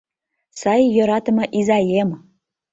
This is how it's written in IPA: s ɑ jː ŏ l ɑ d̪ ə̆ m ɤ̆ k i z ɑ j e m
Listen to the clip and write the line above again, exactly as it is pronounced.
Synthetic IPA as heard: s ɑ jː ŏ ɾ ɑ t̪ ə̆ m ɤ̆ ʔ i z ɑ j e m